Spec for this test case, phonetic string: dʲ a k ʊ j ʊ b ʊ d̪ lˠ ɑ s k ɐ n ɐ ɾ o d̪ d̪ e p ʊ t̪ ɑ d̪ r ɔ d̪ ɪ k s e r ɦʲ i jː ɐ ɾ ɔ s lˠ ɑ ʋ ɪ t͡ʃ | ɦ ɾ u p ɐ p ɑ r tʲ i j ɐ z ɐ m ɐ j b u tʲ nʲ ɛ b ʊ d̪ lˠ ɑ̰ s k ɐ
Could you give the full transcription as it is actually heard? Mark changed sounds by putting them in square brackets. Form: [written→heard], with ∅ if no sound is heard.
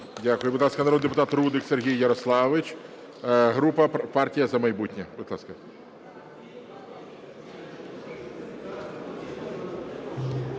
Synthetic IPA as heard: dʲ a k ʊ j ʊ b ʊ d̪ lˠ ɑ s k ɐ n ɐ ɾ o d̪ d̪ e p ʊ t̪ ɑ [d̪→t̪] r [ɔ→u] d̪ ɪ k s e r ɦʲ i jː ɐ ɾ ɔ s lˠ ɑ ʋ ɪ t͡ʃ | ɦ ɾ u p ɐ p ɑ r tʲ i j ɐ z ɐ m ɐ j b u tʲ nʲ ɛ b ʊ d̪ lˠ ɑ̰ s k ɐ